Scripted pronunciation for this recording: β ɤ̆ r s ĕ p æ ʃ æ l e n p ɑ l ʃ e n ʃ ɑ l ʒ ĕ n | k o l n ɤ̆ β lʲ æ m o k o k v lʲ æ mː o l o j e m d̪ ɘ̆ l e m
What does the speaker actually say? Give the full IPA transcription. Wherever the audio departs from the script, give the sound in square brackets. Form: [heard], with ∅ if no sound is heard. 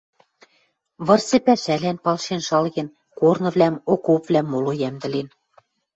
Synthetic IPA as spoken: β ɤ̆ r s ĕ p æ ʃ æ l [æ] n p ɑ l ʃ e n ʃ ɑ l [ɣ] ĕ n | k o [r] n ɤ̆ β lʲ æ m o k o [p] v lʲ æ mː o l o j [æ] m d̪ ɘ̆ l e [n]